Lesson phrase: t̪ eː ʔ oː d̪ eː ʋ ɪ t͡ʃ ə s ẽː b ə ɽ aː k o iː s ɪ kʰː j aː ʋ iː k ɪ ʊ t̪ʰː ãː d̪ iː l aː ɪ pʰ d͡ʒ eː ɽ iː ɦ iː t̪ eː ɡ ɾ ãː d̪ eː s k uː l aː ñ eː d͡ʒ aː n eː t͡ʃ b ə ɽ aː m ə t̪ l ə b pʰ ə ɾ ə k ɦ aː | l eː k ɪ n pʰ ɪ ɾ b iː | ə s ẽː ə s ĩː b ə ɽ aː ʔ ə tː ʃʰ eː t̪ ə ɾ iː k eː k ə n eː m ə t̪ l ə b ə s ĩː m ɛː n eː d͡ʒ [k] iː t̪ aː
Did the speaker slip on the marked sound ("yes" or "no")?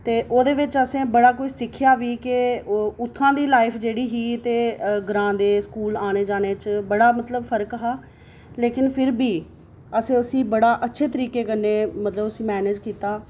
no